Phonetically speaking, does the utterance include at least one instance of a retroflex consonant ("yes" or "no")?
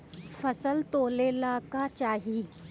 no